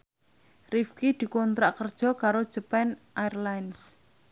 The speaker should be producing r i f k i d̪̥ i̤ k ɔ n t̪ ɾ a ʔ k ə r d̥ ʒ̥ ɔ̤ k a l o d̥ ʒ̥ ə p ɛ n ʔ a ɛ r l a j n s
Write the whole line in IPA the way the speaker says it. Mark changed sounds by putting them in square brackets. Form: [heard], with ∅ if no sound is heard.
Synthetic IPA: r i f k i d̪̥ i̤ k ɔ n t̪ ɾ a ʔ k ə r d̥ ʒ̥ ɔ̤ k a [ɾ] o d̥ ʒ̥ ə p ɛ n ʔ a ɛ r l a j n s